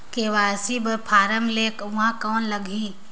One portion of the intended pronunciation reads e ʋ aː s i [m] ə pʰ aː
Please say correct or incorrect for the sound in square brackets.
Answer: incorrect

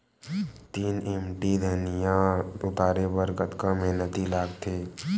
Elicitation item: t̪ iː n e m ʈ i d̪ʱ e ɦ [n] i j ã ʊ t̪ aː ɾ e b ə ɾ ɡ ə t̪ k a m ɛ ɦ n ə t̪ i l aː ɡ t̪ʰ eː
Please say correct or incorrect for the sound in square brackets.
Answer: correct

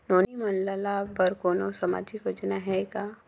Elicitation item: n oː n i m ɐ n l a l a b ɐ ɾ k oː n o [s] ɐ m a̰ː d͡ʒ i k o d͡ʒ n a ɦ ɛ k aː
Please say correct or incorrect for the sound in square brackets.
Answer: correct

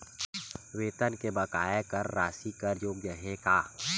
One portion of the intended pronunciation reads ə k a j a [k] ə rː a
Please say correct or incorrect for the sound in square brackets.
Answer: correct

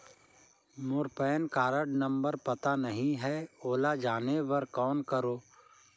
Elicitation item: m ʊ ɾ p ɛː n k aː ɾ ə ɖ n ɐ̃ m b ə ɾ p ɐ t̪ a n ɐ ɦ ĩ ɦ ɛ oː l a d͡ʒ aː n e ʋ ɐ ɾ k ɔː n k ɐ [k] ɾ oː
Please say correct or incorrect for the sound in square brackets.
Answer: incorrect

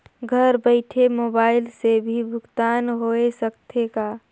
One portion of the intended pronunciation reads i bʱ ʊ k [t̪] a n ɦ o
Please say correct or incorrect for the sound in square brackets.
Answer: correct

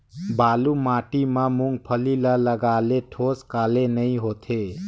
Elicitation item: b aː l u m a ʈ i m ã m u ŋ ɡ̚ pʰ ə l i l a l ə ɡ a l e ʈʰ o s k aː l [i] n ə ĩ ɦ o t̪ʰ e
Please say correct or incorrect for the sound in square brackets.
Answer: incorrect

